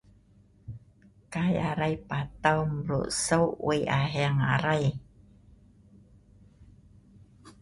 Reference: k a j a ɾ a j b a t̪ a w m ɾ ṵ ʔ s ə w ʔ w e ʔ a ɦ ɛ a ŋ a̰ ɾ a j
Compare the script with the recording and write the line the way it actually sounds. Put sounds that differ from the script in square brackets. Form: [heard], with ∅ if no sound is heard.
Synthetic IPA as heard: k a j a ɾ a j [p] a t̪ a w m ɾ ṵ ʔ s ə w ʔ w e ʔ a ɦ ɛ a ŋ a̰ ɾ a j